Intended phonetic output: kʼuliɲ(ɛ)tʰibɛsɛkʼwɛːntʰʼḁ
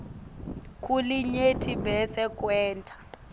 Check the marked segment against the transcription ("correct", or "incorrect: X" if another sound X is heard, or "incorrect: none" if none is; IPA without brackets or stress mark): incorrect: e